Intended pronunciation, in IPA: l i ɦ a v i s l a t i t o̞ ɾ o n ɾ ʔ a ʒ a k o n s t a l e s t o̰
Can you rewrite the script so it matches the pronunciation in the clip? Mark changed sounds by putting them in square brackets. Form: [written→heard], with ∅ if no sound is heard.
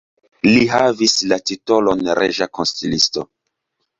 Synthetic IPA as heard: l i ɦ a v i s l a t i t o̞ [ɾ→l] o n ɾ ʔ [a→e] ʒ a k o n s t [a→i] l [e→i] s t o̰